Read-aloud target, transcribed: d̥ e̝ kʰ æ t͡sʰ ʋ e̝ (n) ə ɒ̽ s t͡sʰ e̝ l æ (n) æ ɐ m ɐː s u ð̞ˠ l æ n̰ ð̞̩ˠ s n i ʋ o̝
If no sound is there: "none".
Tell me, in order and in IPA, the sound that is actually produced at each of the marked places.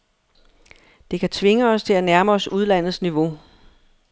ŋ, n

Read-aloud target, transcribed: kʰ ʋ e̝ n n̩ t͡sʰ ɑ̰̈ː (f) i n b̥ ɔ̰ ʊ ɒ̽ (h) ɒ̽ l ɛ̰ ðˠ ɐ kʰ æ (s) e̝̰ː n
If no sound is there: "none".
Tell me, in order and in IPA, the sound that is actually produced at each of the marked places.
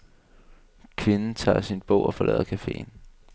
s, f, f

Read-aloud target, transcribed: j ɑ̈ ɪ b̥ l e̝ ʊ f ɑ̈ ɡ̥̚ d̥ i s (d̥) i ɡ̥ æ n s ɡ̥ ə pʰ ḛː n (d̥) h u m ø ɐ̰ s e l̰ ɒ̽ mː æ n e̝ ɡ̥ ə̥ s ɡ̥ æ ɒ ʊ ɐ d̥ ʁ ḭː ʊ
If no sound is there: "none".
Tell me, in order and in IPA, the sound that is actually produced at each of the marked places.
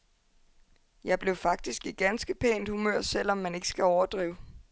ɡ̥, d̥

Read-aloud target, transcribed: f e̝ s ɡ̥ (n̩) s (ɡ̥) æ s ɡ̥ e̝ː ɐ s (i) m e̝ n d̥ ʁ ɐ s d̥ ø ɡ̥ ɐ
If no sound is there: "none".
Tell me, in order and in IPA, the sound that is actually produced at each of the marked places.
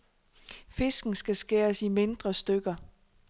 n̩, ɡ̥, i

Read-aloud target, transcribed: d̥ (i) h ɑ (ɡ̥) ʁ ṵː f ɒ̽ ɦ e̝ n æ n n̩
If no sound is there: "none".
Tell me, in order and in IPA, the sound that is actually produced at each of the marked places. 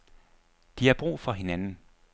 i, b̥

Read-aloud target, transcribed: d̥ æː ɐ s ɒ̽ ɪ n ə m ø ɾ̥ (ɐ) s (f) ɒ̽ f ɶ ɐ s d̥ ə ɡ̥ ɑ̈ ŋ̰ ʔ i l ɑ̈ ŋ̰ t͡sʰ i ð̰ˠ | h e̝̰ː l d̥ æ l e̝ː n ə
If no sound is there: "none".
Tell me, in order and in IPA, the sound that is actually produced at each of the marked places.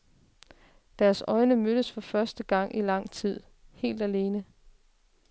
ə, f

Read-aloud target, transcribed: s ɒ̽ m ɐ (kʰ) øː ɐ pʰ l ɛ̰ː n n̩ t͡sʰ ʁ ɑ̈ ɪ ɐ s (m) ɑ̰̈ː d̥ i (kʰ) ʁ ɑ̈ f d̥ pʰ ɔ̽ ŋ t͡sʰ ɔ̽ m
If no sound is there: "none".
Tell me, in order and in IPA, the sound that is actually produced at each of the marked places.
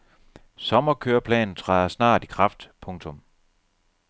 kʰ, n, kʰ

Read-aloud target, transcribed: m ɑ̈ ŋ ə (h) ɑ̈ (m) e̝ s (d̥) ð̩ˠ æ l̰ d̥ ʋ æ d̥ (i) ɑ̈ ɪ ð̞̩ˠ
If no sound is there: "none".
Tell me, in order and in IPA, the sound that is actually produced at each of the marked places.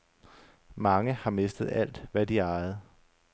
h, m, d̥, i

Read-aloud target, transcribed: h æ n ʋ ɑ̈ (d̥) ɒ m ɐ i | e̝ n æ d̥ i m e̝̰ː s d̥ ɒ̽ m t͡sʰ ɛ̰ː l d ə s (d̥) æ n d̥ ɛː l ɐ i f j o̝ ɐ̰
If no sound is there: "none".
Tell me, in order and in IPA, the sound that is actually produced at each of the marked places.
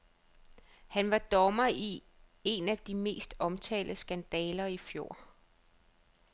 d̥, ɡ̥

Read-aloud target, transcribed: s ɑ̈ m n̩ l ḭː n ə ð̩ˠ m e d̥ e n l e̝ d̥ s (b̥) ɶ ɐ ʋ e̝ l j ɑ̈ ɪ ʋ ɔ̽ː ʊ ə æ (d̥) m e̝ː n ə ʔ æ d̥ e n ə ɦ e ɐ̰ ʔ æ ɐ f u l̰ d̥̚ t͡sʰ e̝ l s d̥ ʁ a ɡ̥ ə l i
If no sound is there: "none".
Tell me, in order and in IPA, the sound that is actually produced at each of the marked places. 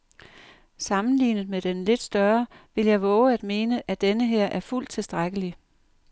d̥, d̥

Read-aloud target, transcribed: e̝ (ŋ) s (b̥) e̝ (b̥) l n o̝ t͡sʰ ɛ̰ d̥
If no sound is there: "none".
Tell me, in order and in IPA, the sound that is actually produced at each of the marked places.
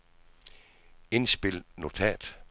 n, b̥, none

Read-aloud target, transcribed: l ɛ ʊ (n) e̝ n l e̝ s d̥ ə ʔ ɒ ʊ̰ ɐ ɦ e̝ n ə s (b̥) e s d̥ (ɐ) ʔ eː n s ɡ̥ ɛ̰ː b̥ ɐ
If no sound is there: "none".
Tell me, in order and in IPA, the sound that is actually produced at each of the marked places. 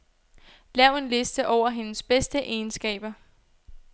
none, b̥, ə

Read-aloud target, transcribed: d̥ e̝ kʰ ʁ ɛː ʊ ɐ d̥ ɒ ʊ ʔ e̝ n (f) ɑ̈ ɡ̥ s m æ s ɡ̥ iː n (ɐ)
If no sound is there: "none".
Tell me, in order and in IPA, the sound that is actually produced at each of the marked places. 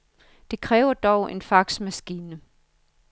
f, ə

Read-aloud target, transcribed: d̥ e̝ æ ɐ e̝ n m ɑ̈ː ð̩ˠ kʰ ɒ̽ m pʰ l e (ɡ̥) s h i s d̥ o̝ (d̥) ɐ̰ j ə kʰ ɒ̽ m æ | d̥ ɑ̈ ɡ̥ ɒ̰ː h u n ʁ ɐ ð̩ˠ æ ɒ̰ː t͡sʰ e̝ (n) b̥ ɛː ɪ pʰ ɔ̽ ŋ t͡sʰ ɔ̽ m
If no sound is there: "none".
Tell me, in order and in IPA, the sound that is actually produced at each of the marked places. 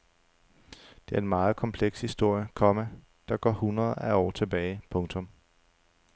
ɡ̥, none, none

